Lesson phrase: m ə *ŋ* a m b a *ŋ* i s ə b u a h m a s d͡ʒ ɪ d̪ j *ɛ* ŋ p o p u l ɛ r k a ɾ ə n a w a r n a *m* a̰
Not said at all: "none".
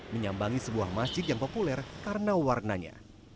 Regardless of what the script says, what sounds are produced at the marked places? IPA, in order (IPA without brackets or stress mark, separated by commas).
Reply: ɲ, ŋ, a, ɲ